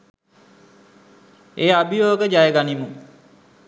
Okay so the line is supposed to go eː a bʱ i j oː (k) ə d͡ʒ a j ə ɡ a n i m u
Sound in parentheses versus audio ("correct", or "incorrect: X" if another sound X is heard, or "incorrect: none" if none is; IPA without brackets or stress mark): incorrect: ɡ